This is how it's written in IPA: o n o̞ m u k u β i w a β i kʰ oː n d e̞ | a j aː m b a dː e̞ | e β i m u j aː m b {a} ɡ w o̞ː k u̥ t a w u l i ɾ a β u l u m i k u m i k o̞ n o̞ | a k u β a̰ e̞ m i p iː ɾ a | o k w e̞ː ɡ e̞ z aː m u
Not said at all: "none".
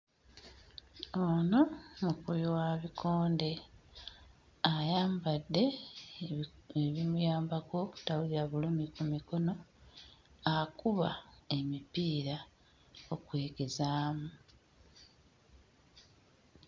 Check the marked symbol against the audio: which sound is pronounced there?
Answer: a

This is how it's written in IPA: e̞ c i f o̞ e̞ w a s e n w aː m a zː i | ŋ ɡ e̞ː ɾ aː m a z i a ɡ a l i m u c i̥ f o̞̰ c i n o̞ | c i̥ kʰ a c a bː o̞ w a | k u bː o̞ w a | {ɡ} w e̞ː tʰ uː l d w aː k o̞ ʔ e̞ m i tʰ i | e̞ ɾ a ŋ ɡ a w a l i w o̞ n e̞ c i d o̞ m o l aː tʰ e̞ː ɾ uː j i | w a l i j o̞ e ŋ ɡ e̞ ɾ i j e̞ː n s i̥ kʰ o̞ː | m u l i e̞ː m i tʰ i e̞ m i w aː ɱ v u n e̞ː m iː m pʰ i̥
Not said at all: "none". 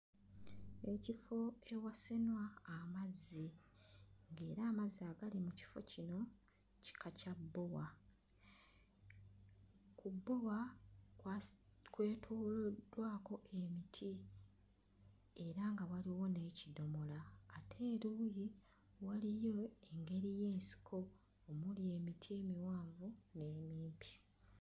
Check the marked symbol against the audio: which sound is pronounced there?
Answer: k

